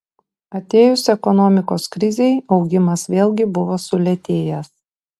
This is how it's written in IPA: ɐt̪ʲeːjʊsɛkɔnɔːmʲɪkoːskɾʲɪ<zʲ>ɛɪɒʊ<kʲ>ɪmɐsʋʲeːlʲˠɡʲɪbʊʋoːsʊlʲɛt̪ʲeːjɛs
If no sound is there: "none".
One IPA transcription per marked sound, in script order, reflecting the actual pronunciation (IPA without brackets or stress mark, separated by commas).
zʲ, ɡʲ